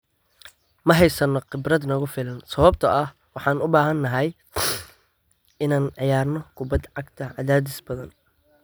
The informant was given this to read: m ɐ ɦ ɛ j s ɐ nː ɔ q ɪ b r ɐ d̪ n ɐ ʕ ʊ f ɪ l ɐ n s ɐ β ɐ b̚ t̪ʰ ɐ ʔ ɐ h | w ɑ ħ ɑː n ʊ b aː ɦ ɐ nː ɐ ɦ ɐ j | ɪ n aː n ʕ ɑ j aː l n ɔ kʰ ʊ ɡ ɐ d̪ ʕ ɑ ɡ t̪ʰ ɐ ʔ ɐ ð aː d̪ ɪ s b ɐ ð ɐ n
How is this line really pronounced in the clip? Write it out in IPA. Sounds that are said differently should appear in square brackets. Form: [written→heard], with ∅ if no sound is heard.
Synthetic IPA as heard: m ɐ ɦ ɛ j s ɐ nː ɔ q ɪ b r ɐ d̪ n ɐ [ʕ→ɣ] ʊ f ɪ l ɐ n s ɐ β ɐ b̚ t̪ʰ ɐ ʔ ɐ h | w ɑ ħ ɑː n ʊ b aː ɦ ɐ nː ɐ ɦ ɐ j | ɪ n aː n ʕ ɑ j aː [l→r] n ɔ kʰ ʊ [ɡ→b] ɐ d̪ ʕ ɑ ɡ t̪ʰ ɐ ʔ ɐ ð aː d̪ ɪ s b ɐ ð ɐ n